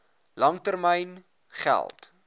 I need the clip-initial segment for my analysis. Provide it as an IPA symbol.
l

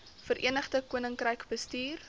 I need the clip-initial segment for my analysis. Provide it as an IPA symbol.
f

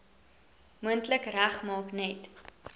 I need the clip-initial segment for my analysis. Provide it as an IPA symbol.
m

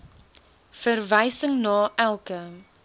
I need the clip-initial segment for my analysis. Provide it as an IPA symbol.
f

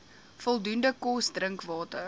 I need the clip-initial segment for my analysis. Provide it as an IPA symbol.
f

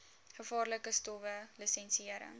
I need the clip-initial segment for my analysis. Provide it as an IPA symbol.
χ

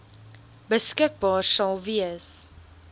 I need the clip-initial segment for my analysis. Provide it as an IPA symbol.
b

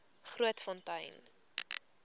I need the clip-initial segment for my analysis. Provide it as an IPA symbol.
χ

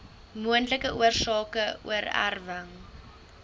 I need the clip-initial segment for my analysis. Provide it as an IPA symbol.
m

